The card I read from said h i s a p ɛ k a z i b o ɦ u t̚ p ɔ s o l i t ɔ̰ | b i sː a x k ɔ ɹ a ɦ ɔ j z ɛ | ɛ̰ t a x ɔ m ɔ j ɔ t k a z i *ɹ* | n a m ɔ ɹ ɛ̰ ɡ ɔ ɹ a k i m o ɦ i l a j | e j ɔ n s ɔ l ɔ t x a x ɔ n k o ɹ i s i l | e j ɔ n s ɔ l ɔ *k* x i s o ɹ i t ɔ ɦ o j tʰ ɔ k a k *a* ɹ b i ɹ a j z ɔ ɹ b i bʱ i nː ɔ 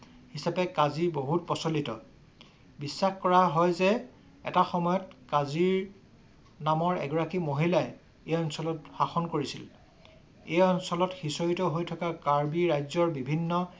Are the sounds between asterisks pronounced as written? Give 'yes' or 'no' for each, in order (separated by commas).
yes, no, yes